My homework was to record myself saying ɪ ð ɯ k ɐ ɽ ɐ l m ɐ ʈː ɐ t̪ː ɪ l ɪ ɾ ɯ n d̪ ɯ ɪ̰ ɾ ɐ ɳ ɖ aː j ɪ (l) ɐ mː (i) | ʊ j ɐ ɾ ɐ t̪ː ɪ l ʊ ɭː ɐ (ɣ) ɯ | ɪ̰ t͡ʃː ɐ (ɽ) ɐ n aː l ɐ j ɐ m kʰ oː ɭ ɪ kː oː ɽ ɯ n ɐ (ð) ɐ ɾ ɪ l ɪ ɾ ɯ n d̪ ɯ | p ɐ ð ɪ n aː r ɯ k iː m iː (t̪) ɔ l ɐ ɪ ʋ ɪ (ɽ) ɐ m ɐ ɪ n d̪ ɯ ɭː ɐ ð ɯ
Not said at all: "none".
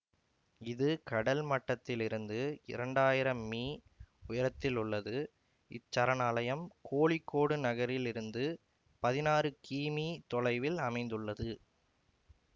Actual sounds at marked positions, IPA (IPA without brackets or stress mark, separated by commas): ɾ, iː, ð, ɾ, ɣ, t̪, l